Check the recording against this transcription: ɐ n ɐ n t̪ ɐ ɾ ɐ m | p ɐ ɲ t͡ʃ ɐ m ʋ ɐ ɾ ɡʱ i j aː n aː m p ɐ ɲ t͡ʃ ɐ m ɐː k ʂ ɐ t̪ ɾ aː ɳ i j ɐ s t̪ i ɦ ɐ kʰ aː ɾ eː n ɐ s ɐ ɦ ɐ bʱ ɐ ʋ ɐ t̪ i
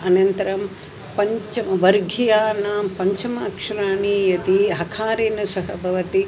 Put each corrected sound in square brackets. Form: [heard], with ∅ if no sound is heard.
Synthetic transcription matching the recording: ɐ n ɐ n t̪ ɐ ɾ ɐ m | p ɐ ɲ t͡ʃ ɐ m ʋ ɐ ɾ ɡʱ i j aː n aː m p ɐ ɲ t͡ʃ ɐ m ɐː k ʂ ɐ [∅] ɾ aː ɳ i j ɐ [∅] t̪ i ɦ ɐ kʰ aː ɾ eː n ɐ s ɐ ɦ ɐ bʱ ɐ ʋ ɐ t̪ i